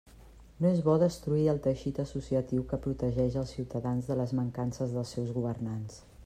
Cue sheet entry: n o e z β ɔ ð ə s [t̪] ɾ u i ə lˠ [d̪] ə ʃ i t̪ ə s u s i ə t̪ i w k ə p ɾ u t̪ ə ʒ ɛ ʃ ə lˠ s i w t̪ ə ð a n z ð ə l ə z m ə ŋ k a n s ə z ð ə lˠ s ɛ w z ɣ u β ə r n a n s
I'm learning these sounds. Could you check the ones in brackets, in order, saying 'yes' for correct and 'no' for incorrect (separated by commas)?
yes, no